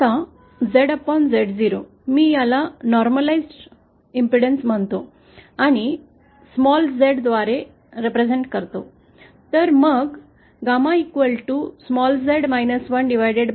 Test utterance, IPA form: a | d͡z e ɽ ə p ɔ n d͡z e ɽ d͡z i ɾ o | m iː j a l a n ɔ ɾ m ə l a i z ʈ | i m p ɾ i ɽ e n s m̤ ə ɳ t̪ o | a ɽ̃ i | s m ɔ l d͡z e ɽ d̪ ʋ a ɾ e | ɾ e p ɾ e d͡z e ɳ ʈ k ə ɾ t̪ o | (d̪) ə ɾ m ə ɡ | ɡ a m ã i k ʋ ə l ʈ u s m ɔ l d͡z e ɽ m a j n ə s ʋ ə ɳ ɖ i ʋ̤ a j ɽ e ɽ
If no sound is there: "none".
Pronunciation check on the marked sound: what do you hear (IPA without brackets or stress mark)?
t̪